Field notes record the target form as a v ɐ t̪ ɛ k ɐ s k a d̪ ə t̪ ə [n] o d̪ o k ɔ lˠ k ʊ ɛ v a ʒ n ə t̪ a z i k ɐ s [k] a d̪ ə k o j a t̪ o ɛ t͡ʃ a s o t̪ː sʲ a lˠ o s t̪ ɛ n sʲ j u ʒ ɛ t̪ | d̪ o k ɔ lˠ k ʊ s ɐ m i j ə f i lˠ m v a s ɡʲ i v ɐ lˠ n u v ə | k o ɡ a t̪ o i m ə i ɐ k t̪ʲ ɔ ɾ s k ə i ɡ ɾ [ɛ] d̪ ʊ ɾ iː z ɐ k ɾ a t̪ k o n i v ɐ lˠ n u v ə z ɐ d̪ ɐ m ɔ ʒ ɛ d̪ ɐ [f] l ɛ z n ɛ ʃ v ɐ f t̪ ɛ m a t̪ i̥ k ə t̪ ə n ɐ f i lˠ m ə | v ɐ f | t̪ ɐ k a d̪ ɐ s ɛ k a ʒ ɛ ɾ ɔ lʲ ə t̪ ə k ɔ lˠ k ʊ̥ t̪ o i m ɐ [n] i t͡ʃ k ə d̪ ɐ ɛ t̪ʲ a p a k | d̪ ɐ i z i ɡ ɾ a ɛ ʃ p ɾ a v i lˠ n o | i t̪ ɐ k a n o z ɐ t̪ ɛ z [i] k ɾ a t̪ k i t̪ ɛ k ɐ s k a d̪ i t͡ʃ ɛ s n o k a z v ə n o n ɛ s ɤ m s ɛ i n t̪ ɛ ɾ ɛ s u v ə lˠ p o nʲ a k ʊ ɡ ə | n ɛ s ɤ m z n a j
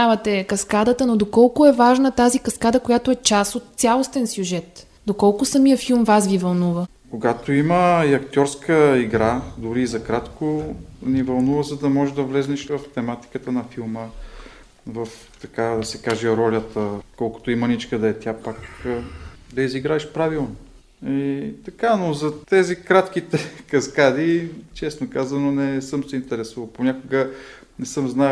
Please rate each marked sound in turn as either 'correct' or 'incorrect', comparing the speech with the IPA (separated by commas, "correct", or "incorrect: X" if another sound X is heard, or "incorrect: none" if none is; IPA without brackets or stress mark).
correct, correct, incorrect: a, incorrect: v, correct, correct